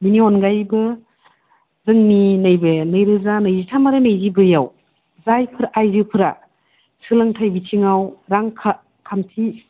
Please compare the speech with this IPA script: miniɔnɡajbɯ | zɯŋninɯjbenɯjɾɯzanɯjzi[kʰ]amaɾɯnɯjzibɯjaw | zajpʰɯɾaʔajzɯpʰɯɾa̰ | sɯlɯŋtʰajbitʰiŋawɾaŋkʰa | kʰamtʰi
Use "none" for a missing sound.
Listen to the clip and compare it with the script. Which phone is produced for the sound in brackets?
tʰ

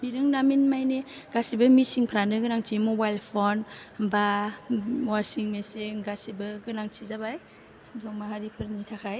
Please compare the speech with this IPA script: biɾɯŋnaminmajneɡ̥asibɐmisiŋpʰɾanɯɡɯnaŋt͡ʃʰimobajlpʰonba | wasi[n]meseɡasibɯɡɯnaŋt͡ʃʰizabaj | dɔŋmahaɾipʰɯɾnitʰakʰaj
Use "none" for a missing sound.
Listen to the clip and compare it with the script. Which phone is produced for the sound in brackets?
ŋ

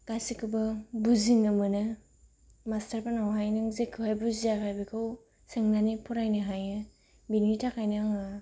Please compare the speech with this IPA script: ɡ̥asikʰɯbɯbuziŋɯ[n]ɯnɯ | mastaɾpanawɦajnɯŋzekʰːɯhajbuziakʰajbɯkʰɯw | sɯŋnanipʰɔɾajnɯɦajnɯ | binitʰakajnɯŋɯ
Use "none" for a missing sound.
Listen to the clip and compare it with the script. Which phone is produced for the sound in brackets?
m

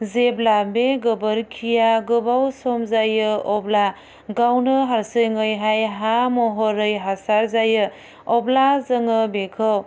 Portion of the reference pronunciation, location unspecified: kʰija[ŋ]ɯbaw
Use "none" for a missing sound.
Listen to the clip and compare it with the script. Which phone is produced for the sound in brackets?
ɡ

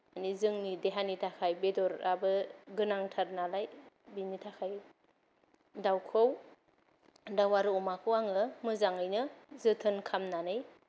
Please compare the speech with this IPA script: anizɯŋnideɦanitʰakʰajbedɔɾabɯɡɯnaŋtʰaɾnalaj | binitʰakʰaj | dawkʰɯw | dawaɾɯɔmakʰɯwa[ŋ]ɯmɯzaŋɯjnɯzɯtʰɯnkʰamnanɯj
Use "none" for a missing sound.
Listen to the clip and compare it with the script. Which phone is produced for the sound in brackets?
ŋ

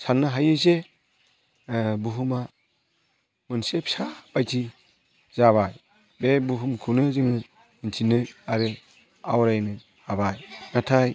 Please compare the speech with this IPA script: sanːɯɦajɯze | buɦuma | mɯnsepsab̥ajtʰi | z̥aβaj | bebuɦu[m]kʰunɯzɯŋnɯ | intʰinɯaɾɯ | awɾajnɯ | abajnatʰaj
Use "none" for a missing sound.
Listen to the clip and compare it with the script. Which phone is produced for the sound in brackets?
m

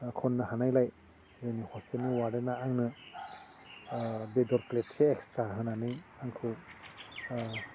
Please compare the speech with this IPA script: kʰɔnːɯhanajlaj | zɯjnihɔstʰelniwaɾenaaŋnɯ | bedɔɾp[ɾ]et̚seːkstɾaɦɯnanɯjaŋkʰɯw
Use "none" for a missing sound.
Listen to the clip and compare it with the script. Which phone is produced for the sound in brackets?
l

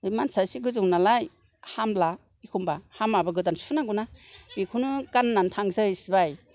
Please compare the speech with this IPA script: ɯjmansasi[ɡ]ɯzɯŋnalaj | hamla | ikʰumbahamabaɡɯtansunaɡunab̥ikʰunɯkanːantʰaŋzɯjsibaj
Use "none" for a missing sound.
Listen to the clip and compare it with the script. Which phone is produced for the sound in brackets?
ɡ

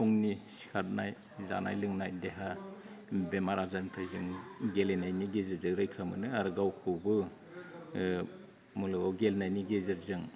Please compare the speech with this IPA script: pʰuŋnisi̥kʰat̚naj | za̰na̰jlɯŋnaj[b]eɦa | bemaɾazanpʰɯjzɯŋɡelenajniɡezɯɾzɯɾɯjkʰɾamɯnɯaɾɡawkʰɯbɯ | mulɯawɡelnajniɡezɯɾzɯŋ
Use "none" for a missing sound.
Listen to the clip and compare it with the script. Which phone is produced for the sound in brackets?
d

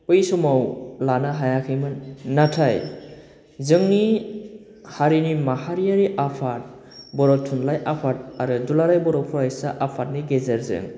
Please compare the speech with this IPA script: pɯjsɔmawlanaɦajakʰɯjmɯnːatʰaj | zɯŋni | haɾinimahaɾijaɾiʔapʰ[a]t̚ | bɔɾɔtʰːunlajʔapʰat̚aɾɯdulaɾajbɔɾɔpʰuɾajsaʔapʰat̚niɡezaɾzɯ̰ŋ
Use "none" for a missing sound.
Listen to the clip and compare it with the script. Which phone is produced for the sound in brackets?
a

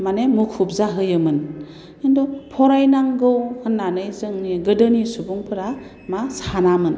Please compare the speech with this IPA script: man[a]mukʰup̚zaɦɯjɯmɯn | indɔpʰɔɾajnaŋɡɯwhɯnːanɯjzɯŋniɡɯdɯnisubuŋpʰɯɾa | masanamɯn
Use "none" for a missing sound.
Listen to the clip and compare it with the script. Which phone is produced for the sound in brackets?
e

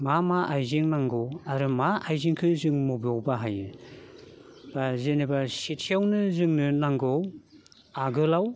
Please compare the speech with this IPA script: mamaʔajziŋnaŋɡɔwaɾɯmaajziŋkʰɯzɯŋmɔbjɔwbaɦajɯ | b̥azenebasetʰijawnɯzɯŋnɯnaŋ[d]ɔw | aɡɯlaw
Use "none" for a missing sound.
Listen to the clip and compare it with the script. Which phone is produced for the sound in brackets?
ɡ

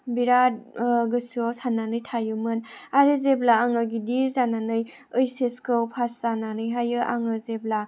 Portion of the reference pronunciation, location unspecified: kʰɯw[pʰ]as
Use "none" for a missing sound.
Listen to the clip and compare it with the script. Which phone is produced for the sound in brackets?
pʰ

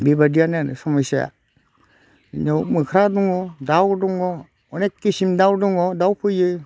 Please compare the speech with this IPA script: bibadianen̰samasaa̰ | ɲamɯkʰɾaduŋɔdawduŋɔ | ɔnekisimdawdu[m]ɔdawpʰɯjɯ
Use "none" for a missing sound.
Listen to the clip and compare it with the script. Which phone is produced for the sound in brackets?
ŋ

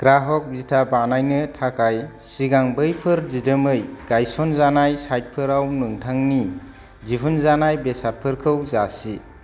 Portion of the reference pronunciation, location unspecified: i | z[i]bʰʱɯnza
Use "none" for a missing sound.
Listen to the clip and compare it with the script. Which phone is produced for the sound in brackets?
i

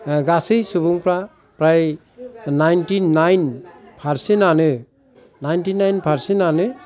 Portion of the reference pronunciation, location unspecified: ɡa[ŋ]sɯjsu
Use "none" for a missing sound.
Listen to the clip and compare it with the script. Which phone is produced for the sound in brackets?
none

